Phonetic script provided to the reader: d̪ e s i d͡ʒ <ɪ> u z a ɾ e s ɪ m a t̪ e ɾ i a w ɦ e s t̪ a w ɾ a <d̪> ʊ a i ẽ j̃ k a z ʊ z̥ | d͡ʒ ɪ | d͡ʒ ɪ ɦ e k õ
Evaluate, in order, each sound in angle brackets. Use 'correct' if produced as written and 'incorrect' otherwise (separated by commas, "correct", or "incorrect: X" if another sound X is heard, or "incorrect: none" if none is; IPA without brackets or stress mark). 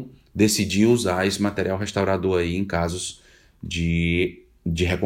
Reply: incorrect: i, correct